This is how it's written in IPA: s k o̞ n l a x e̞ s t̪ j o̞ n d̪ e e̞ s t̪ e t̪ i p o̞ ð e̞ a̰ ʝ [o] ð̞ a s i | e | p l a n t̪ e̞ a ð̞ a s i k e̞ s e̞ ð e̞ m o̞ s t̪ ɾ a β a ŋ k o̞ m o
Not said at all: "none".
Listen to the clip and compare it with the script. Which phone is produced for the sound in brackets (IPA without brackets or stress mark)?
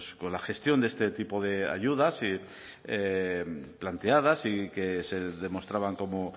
u